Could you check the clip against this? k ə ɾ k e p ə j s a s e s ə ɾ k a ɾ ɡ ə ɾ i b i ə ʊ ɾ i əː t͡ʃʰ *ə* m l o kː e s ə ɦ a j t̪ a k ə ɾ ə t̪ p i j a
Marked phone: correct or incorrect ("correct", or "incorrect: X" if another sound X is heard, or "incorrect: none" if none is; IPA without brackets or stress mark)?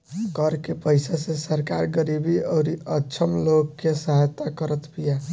correct